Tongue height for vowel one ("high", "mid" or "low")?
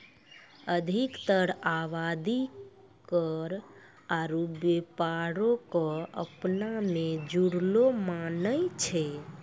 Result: mid